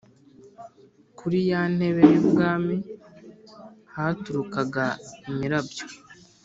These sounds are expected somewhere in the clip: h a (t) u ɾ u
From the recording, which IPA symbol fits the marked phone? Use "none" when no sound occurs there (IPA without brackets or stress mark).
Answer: t